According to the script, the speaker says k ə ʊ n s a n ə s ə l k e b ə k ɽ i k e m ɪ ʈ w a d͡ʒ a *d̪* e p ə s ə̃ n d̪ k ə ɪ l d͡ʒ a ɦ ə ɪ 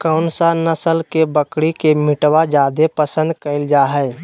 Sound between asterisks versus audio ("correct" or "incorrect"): correct